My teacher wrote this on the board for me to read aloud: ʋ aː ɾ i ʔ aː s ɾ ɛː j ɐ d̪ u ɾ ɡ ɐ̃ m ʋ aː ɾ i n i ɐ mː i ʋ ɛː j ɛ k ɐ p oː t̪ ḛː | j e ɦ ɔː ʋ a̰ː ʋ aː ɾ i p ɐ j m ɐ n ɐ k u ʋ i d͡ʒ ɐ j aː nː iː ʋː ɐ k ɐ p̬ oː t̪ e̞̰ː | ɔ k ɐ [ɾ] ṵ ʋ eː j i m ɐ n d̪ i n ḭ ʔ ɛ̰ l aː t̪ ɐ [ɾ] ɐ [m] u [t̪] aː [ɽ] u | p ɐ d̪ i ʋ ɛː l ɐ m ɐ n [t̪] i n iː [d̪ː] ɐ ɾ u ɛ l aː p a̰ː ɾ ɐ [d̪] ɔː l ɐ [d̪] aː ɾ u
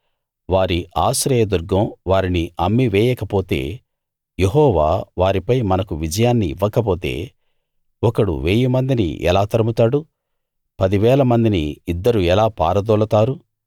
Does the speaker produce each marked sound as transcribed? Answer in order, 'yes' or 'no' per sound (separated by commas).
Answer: no, yes, yes, yes, yes, no, yes, yes, no